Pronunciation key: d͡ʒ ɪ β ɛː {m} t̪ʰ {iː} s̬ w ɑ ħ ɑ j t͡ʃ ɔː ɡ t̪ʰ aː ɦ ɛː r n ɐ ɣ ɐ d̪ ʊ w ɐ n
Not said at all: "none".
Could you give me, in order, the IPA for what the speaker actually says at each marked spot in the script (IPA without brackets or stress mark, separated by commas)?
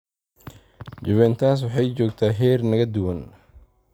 n, aː